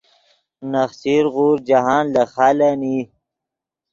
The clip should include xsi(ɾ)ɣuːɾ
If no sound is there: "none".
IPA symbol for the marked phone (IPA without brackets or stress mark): ɾ